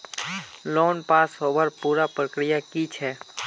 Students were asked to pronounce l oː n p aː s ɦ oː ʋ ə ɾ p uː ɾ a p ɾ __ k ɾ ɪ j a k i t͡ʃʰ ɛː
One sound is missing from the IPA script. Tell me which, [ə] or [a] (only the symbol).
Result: ə